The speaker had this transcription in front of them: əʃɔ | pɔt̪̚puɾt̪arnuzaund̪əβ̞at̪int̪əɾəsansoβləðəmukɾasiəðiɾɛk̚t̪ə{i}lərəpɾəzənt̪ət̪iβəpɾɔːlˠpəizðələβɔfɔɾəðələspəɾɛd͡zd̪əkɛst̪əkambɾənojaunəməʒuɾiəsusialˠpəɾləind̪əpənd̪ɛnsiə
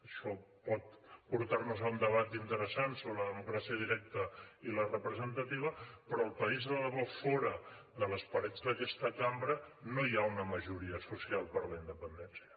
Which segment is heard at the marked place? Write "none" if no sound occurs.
i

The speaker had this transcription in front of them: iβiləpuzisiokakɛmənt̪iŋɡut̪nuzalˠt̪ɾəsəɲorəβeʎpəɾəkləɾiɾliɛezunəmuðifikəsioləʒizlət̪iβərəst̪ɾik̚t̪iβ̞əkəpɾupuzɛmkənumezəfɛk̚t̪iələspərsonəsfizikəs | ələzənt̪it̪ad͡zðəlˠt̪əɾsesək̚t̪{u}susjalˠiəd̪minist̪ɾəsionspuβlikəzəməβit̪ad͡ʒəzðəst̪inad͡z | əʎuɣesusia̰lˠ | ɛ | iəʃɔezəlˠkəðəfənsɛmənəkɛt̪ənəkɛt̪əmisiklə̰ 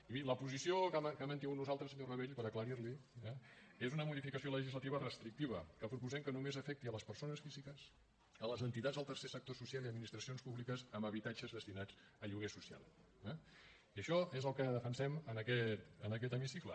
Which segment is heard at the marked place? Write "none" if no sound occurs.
o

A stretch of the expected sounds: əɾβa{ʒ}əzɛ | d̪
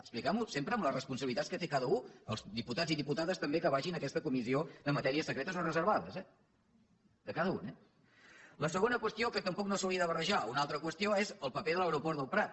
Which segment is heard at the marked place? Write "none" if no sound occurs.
ð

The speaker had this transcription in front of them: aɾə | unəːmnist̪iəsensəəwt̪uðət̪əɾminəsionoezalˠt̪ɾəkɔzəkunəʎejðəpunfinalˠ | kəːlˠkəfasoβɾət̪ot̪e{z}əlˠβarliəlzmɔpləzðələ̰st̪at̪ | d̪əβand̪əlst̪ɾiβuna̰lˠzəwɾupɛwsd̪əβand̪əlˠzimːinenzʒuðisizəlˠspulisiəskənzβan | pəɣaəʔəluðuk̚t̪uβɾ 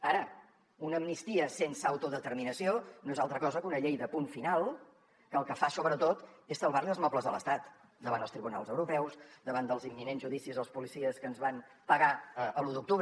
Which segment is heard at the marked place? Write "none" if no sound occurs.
s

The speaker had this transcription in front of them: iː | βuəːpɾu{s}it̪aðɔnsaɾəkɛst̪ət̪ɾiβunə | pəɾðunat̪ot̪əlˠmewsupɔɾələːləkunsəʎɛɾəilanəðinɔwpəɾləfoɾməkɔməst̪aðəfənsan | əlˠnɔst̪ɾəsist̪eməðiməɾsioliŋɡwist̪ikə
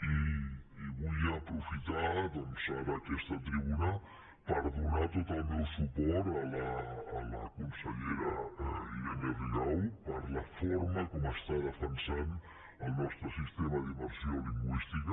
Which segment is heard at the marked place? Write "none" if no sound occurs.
f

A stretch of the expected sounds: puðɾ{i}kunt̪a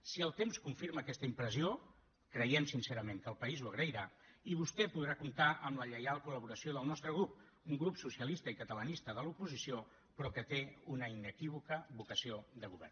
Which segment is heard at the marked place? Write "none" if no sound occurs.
a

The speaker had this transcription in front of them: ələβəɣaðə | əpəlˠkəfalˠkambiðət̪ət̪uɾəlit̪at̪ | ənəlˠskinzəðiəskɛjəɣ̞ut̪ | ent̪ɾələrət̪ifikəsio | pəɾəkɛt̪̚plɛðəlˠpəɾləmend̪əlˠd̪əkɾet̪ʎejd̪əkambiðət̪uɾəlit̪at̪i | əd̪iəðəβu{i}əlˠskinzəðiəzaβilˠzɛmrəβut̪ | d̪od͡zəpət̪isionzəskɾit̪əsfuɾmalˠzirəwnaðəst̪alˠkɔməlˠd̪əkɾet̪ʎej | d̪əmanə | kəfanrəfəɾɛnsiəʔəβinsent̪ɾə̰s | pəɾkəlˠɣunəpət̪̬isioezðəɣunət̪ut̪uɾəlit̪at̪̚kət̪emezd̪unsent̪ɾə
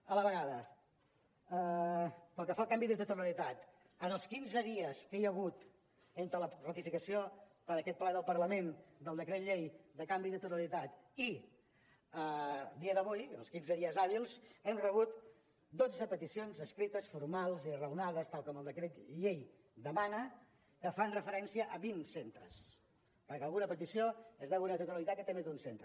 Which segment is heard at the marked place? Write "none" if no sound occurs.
j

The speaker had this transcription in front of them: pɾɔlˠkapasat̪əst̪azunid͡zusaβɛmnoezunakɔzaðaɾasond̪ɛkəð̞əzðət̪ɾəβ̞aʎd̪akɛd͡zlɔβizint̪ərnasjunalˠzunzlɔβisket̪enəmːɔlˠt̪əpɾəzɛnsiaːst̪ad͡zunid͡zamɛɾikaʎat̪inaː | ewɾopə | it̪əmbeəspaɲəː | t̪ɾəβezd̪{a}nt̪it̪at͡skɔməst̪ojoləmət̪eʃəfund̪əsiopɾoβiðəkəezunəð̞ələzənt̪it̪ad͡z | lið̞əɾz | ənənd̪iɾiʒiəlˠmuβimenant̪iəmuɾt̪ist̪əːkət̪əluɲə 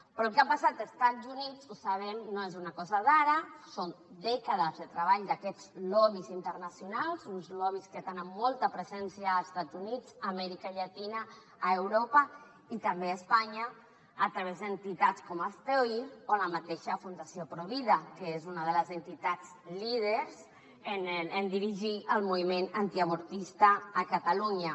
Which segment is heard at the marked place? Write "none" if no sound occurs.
ə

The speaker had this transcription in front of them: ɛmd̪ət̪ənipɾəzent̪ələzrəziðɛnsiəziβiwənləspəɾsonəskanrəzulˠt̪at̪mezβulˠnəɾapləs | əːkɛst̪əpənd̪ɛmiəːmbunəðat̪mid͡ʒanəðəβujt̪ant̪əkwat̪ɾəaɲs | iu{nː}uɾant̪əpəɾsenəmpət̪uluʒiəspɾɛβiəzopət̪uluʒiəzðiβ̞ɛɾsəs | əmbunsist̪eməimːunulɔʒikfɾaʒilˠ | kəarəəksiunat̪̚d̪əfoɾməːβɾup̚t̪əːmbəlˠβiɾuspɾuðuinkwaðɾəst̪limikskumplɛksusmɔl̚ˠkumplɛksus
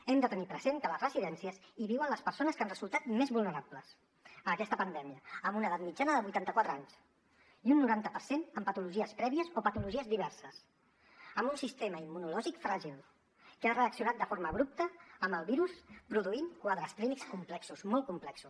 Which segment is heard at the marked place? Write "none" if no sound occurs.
nː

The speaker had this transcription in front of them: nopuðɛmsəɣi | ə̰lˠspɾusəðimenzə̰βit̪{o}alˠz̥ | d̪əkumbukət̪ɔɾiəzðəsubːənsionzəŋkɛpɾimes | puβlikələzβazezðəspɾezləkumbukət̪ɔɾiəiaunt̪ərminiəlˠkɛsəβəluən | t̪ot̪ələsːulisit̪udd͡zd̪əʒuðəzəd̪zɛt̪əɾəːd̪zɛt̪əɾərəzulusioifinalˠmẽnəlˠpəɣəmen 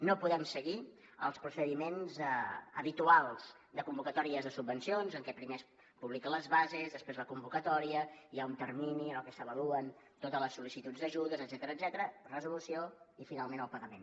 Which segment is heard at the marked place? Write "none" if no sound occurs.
u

